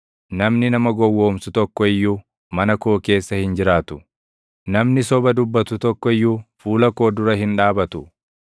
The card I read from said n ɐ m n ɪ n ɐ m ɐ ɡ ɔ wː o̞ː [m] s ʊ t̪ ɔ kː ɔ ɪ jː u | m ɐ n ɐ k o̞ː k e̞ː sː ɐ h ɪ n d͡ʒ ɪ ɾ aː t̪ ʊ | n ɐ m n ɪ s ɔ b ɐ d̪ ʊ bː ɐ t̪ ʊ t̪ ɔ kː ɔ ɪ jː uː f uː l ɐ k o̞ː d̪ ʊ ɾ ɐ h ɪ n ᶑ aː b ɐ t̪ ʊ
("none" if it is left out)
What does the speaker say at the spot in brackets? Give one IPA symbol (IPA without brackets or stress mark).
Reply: m